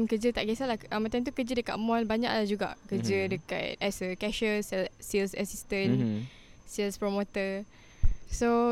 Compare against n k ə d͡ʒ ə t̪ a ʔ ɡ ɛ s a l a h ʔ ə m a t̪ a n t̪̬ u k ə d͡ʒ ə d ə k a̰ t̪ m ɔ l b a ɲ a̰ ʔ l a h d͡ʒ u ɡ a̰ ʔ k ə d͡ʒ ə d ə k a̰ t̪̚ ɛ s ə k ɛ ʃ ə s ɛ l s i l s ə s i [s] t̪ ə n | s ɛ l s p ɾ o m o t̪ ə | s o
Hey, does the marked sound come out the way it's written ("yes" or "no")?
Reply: yes